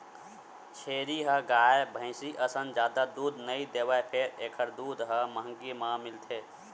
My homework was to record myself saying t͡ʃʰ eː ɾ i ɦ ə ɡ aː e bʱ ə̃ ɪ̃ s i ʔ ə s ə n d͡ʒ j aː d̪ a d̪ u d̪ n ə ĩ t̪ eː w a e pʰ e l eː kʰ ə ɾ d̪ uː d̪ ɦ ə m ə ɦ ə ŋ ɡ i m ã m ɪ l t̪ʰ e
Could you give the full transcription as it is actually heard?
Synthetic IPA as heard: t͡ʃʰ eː ɾ i ɦ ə ɡ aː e bʱ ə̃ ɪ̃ s i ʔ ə s ə n d͡ʒ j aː d̪ a d̪ u d̪ n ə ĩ d̪ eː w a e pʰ e ɾ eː kʰ ə ɾ d̪ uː d̪ ɦ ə m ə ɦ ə ŋ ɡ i m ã m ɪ l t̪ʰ e